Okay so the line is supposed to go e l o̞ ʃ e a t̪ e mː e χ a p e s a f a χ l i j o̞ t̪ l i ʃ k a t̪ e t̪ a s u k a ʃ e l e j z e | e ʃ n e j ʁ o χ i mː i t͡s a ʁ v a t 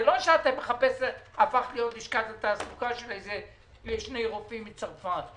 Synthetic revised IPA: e l o̞ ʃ e a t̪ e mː e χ a p e s a f a χ l i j o̞ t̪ l i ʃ k a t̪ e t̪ a s u k a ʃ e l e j z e | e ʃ n e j ʁ o f i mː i t͡s a ʁ f a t